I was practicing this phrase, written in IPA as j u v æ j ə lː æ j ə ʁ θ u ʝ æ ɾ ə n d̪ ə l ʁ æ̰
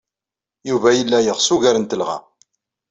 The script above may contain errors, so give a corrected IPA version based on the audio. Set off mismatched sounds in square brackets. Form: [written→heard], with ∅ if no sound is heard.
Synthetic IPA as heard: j u v æ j ə lː æ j ə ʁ [θ→s] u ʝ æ ɾ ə n [d̪→t̪] ə l ʁ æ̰